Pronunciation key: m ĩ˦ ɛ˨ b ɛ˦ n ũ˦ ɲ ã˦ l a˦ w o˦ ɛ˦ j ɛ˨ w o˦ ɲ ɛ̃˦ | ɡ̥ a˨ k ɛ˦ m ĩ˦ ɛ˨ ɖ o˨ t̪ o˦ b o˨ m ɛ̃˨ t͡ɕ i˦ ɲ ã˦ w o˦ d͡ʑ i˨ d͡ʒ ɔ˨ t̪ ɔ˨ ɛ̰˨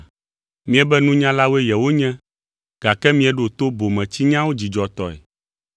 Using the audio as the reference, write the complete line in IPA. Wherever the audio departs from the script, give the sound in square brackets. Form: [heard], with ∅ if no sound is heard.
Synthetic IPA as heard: m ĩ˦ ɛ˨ b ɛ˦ n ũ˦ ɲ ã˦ l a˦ w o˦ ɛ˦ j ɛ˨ w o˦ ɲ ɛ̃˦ | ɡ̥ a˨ k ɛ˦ m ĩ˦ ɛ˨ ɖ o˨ t̪ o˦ b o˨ m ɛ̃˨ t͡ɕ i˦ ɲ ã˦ w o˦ d͡ʑ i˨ d͡ʒ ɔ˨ t̪ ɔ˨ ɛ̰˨